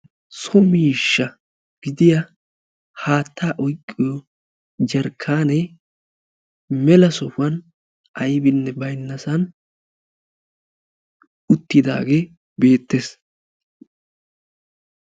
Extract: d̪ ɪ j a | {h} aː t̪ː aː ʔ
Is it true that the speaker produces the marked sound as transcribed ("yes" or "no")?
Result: yes